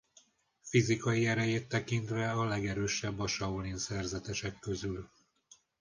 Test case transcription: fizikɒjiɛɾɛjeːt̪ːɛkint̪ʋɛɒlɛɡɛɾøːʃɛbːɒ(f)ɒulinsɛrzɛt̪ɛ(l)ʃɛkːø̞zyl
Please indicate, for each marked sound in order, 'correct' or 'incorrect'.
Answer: incorrect: ʃ, incorrect: none

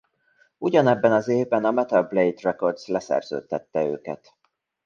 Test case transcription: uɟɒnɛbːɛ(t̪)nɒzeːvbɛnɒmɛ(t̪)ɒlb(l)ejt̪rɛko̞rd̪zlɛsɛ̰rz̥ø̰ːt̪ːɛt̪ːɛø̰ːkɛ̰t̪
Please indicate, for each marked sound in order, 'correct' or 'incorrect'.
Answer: incorrect: none, correct, correct

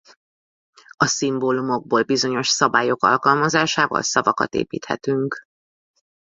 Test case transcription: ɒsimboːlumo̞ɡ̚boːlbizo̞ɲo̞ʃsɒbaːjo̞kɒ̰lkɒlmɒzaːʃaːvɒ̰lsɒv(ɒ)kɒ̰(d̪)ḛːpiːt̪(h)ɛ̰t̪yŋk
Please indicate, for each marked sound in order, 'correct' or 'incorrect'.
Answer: correct, incorrect: t̪, correct

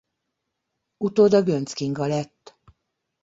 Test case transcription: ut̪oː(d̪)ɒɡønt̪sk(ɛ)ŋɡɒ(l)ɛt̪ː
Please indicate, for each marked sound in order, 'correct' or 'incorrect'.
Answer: correct, incorrect: i, correct

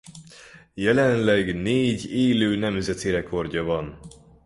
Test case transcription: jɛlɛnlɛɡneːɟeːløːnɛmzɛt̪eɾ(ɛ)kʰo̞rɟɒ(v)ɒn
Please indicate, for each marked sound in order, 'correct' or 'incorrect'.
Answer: correct, correct

